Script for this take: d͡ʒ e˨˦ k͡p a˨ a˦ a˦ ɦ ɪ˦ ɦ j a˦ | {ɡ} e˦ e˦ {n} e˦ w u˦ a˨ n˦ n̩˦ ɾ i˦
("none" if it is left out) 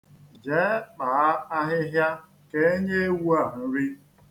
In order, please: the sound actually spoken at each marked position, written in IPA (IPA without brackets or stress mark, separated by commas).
k, ɲ